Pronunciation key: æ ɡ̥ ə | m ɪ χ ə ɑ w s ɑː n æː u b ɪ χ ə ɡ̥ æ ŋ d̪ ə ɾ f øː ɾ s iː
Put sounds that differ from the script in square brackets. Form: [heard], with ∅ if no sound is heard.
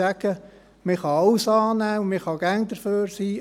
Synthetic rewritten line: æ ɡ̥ ə | m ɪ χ [ɑ] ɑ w s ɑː n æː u [m] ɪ χ [ɑ] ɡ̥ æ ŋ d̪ ə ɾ f øː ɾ s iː